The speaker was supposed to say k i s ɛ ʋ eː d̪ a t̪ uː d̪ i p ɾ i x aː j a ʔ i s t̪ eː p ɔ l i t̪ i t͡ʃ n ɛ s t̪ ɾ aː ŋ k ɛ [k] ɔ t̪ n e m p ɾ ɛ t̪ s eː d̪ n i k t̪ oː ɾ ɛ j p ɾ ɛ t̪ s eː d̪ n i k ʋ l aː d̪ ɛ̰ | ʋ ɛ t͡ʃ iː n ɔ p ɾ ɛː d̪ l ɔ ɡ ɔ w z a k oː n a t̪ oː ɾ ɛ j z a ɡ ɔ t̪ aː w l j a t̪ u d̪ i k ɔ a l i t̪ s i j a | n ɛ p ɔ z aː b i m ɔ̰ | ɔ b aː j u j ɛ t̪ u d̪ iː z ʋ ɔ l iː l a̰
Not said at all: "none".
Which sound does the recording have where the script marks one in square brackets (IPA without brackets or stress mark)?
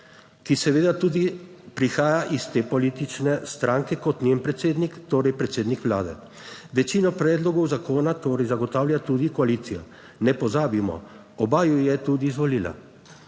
k